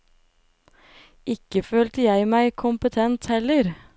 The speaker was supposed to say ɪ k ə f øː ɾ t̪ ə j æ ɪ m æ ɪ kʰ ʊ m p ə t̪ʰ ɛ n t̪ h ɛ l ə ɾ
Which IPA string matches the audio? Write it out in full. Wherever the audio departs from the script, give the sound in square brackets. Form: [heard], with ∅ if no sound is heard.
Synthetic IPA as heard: ɪ k ə f øː [l] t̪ ə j æ ɪ m æ ɪ kʰ ʊ m p ə t̪ʰ ɛ n t̪ h ɛ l ə ɾ